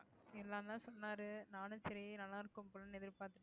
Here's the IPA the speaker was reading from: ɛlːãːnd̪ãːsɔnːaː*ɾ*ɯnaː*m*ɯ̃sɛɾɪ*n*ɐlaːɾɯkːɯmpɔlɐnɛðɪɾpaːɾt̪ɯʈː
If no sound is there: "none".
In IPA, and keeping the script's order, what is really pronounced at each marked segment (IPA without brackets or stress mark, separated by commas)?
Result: ɾ, n, n